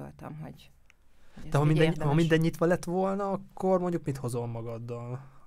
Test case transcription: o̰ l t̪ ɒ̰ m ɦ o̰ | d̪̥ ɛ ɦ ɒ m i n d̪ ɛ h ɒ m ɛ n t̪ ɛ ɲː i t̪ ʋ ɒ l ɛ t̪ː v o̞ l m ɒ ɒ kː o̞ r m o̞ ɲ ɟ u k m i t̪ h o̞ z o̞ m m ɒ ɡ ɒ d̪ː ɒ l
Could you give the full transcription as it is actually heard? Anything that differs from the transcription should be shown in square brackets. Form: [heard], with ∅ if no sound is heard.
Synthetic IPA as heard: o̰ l t̪ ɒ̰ m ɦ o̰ | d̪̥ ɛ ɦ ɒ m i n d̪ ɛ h ɒ m [i] n [d̪] ɛ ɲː i t̪ ʋ ɒ l ɛ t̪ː [ʋ] o̞ l [n] ɒ ɒ kː o̞ r m o̞ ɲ ɟ u k m i t̪ h o̞ z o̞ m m ɒ ɡ ɒ d̪ː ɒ l